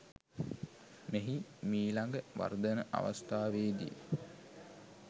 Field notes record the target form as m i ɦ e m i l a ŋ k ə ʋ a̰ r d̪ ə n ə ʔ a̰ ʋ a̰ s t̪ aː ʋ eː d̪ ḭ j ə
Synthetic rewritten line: m e ɦ i m iː l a ŋ ɡ ə ʋ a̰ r d̪ ə n ə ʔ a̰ ʋ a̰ s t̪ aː ʋ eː d̪ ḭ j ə